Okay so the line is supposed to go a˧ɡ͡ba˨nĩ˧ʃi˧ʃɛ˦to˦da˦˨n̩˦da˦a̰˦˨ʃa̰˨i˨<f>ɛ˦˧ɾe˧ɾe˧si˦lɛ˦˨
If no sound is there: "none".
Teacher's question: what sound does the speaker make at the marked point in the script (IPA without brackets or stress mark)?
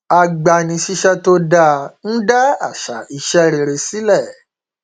ʃ